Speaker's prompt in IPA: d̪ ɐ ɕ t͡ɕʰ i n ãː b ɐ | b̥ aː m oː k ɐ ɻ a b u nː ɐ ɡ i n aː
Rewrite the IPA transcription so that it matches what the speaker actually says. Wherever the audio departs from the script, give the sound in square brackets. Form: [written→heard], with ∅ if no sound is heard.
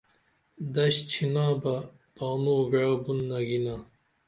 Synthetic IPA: d̪ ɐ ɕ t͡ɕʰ i n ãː b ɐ | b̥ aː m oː [k→ɡ] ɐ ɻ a b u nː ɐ ɡ i n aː